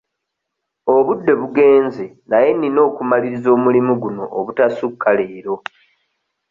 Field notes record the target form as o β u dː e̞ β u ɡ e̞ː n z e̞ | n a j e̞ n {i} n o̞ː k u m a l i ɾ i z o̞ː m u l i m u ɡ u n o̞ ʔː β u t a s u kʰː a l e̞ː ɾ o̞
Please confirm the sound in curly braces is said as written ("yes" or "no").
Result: yes